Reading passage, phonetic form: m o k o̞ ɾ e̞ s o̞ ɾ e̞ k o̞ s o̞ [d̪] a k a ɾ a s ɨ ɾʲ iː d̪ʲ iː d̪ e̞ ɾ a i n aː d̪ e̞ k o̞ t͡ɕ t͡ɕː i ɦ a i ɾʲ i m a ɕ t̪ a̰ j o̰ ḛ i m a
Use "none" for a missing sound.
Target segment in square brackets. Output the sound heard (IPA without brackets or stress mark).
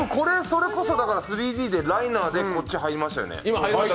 d̪